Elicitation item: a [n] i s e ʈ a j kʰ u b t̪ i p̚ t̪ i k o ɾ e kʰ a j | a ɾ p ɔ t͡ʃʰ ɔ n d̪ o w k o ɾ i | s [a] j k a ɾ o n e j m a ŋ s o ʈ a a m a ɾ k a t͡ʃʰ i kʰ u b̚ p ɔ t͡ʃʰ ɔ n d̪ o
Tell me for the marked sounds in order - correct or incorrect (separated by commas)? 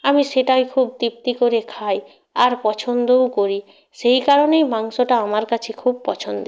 incorrect, incorrect